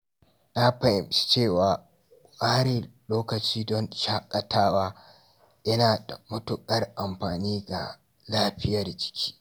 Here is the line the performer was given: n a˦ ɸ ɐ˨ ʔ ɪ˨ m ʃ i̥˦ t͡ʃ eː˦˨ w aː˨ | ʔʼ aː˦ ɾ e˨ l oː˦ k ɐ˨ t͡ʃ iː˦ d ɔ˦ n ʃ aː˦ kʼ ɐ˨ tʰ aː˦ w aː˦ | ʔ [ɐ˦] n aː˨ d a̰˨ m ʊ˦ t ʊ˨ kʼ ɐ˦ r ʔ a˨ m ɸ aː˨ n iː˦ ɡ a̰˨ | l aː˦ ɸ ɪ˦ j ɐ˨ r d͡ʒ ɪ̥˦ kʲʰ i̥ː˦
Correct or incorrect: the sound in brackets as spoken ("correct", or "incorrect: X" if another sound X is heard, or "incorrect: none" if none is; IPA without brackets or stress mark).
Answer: correct